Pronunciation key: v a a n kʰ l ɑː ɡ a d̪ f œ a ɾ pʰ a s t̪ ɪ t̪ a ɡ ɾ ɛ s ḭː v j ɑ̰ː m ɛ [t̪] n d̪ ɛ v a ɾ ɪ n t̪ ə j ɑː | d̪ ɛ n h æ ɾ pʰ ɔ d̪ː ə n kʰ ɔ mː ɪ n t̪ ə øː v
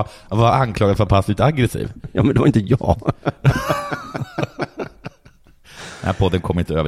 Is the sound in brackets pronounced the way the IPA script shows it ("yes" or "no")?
no